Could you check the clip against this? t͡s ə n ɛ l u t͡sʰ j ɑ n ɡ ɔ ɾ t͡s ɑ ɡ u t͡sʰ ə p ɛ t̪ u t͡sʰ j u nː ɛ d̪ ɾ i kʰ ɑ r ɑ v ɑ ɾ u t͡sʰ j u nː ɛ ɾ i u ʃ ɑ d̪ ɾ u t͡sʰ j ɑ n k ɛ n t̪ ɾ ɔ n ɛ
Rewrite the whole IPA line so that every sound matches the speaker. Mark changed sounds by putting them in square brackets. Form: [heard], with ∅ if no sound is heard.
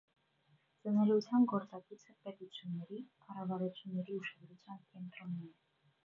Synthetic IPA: t͡s ə n ɛ l u t͡sʰ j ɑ n ɡ ɔ ɾ t͡s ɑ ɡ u t͡sʰ ə p ɛ t̪ u t͡sʰ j u nː ɛ [∅] ɾ i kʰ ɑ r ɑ v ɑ ɾ u t͡sʰ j u nː ɛ ɾ i u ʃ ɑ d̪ ɾ u t͡sʰ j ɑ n k ɛ n t̪ ɾ ɔ n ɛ

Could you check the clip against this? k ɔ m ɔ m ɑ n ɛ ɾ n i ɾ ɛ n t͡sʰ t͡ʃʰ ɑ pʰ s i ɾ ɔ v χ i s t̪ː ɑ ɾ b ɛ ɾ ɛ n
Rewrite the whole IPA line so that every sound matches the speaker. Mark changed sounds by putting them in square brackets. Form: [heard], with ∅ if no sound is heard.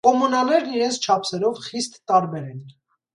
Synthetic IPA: k ɔ m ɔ [n] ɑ n ɛ ɾ n i ɾ ɛ n t͡sʰ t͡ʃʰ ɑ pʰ s [ɛ] ɾ ɔ v χ i s t̪ː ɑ ɾ b ɛ ɾ ɛ n

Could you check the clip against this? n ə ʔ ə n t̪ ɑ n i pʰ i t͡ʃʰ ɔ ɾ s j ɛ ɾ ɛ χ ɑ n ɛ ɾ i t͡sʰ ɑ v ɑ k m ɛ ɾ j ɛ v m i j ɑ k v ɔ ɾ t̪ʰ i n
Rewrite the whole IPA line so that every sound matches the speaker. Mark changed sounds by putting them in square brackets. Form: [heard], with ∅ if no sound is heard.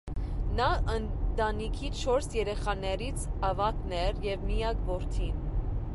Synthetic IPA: n [ɑ] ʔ ə n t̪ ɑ n i [kʰ] i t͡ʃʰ ɔ ɾ s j ɛ ɾ ɛ χ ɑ n ɛ ɾ i t͡sʰ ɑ v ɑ k [n] ɛ ɾ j ɛ v m i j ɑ k v ɔ ɾ t̪ʰ i n

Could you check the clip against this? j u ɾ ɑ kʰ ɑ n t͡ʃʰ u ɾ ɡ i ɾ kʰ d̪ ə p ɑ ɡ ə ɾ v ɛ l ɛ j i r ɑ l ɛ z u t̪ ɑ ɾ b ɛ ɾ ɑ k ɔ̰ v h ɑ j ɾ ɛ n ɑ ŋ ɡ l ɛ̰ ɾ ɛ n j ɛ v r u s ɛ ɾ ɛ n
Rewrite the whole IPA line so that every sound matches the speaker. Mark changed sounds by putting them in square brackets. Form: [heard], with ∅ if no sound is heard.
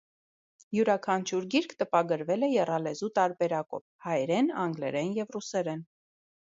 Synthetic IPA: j u ɾ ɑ kʰ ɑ n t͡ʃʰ u ɾ ɡ i ɾ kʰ [t̪] ə p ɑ ɡ ə ɾ v ɛ l ɛ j [ɛ] r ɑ l ɛ z u t̪ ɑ ɾ b ɛ ɾ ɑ k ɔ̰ v h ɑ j ɾ ɛ n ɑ ŋ ɡ l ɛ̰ ɾ ɛ n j ɛ v r u s ɛ ɾ ɛ n

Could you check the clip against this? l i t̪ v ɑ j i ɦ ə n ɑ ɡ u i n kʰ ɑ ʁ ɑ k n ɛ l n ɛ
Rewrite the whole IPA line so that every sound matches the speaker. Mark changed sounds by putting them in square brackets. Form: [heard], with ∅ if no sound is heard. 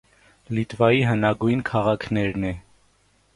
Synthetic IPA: l i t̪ v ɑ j i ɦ ə n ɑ ɡ u [j] n kʰ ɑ ʁ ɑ [kʰ] n ɛ [ɾ] n ɛ

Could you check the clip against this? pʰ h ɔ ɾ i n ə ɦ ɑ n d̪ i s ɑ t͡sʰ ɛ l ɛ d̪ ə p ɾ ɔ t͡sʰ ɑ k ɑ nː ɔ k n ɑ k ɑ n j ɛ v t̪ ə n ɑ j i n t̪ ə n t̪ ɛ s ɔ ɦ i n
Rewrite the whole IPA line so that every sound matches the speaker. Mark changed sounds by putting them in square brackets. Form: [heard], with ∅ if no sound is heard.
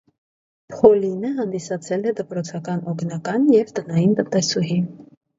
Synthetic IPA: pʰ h ɔ [l] i n ə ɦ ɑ n d̪ i s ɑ t͡sʰ ɛ l ɛ d̪ ə p ɾ ɔ t͡sʰ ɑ k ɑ [n] ɔ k n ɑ k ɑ n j ɛ v t̪ ə n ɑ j i n t̪ ə n t̪ ɛ s [u] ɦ i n

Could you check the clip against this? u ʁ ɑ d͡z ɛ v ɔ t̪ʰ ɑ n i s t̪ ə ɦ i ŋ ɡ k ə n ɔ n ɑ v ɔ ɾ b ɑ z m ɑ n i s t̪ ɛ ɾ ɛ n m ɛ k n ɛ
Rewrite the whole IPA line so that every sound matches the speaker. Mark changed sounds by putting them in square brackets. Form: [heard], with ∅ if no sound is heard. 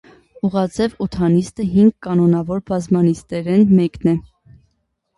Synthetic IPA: u ʁ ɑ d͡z ɛ v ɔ t̪ʰ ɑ n i s t̪ ə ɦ i ŋ ɡ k [ɑ] n ɔ n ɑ v ɔ ɾ b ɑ z m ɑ n i s t̪ ɛ ɾ ɛ n m ɛ k n ɛ

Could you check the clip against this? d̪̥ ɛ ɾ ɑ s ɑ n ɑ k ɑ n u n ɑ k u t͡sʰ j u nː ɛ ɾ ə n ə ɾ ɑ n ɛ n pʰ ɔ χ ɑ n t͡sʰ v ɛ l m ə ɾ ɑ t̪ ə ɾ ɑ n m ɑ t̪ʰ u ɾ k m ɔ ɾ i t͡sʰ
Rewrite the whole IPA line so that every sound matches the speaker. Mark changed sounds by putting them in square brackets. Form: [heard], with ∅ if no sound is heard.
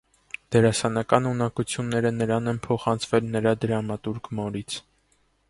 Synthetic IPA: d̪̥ ɛ ɾ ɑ s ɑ n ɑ k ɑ n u n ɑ k u t͡sʰ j u nː ɛ ɾ ə n ə ɾ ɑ n ɛ n pʰ ɔ χ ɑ n t͡sʰ v ɛ l [n] ə ɾ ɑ [d̪] ə ɾ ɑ [∅] m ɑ [t̪] u ɾ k m ɔ ɾ i t͡sʰ

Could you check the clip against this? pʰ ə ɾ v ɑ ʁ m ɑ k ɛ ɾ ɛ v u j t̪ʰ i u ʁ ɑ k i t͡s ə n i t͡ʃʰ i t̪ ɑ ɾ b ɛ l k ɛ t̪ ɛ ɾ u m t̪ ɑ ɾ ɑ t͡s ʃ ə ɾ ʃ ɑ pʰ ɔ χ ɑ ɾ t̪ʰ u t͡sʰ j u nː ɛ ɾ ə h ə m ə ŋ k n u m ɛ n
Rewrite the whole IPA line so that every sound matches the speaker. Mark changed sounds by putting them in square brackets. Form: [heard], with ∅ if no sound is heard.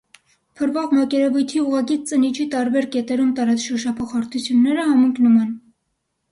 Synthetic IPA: pʰ ə ɾ v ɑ ʁ m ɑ k ɛ ɾ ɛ v u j t̪ʰ i u ʁ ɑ k i t͡s ə n i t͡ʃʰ i t̪ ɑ ɾ b ɛ [ɾ] k ɛ t̪ ɛ ɾ u m t̪ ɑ ɾ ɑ t͡s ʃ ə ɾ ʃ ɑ pʰ ɔ χ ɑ ɾ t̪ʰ u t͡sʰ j u nː ɛ ɾ ə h [ɑ] m ə ŋ k n u m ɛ n

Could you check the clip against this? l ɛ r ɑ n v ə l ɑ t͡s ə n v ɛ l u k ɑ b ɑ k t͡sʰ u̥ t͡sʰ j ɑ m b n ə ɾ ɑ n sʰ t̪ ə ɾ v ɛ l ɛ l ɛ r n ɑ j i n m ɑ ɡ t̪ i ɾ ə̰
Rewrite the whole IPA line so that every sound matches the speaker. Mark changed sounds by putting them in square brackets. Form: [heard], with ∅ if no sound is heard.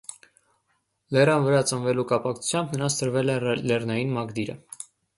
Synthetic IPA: l ɛ r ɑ n v ə [ɾ] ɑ t͡s ə n v ɛ l u k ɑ [p] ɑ k t͡sʰ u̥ t͡sʰ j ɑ m b n ə ɾ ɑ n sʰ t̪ ə ɾ v ɛ l ɛ l ɛ r n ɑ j i n m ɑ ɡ [d̪] i ɾ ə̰

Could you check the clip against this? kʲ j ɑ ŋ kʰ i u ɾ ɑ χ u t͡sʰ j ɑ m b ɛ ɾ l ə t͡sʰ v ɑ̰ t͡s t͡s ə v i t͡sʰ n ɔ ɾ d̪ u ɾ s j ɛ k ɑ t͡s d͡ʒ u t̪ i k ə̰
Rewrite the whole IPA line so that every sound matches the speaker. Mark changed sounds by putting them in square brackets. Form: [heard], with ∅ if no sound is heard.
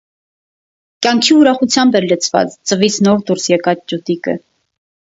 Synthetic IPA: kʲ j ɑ ŋ kʰ i u ɾ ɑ χ u t͡sʰ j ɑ m b ɛ ɾ l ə t͡sʰ v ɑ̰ t͡s t͡s ə v i t͡sʰ n ɔ ɾ d̪ u ɾ s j ɛ k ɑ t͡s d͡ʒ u t̪ i k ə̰

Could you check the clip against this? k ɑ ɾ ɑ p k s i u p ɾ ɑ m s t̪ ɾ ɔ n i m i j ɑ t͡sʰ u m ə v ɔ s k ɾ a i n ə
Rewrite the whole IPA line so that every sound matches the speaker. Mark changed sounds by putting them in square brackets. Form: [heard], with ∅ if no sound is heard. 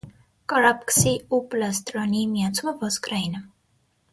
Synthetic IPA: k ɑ ɾ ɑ p k s i u p [l] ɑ [∅] s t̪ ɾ ɔ n i m i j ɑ t͡sʰ u m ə v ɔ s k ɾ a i n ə

